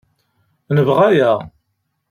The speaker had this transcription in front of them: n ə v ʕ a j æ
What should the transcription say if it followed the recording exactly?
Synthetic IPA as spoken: n ə v ʁ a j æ